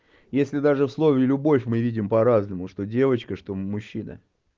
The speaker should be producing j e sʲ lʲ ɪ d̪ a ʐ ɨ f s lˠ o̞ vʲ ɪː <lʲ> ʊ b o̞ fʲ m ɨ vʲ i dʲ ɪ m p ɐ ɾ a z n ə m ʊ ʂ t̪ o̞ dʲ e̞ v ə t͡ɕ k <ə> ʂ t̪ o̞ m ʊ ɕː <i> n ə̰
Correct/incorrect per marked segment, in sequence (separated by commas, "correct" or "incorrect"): correct, correct, correct